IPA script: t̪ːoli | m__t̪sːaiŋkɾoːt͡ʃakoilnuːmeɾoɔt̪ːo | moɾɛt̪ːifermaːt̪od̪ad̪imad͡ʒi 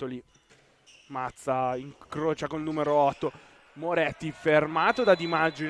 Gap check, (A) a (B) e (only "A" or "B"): A